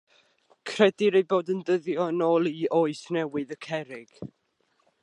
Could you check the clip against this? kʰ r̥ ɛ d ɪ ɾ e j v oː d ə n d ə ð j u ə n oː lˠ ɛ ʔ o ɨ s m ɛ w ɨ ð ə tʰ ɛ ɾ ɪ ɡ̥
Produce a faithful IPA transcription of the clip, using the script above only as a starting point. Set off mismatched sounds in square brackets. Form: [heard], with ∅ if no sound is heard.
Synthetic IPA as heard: kʰ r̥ ɛ d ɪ ɾ e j [b] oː d ə n d ə ð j [ɔ] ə n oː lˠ [i] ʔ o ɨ s [n] ɛ w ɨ ð ə [kʰ] ɛ ɾ ɪ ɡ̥